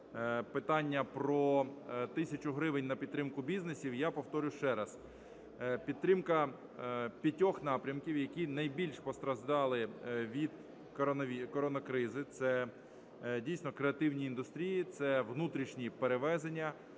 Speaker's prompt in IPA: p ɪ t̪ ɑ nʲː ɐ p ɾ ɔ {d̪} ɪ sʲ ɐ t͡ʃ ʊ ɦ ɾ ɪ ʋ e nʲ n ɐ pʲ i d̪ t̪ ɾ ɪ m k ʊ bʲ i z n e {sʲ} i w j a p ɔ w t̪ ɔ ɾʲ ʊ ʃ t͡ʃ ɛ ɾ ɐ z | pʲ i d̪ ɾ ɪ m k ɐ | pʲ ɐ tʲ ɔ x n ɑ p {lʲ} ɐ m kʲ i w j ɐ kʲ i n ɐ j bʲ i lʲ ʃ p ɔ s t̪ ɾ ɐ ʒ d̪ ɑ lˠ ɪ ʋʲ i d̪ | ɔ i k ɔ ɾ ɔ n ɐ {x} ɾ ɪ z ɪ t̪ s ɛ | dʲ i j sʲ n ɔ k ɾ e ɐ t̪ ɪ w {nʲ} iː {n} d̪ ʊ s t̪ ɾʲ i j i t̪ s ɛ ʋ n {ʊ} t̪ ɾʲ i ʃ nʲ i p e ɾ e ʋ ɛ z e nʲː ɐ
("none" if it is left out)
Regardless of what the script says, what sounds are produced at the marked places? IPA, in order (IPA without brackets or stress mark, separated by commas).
t̪, sʲ, ɾʲ, k, nʲ, n, u